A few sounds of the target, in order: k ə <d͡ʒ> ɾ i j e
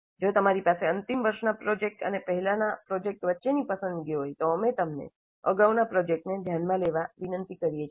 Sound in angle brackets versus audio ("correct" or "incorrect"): incorrect